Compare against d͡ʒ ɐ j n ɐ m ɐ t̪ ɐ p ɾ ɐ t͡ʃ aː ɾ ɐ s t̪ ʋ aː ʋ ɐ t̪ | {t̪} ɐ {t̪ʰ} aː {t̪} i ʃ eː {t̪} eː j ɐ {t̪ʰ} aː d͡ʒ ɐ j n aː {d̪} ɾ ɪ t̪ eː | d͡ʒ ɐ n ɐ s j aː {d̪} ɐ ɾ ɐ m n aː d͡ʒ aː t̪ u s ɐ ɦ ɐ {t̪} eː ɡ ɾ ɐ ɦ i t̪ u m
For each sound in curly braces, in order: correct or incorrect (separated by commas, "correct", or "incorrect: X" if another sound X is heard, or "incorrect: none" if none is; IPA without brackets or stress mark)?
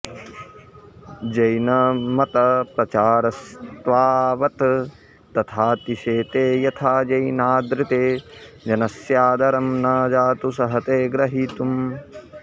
correct, correct, correct, correct, correct, correct, correct, correct